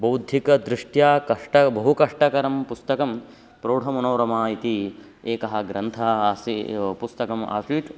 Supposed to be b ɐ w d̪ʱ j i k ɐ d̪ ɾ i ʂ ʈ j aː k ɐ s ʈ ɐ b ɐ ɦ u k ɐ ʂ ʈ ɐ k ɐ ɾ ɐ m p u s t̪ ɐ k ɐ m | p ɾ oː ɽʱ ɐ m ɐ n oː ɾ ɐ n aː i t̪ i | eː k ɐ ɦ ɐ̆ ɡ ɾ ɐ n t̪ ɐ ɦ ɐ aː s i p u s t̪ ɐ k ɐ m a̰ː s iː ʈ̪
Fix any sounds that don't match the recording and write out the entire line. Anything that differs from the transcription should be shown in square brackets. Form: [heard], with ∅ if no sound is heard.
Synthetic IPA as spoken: b ɐ w d̪ʱ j i k ɐ d̪ ɾ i ʂ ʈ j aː k ɐ [ʂ] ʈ ɐ b ɐ ɦ u k ɐ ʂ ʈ ɐ k ɐ ɾ ɐ m p u s t̪ ɐ k ɐ m | p ɾ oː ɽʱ ɐ m ɐ n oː ɾ ɐ [m] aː i t̪ i | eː k ɐ ɦ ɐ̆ ɡ ɾ ɐ n [t̪ʰ] ɐ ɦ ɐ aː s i p u s t̪ ɐ k ɐ m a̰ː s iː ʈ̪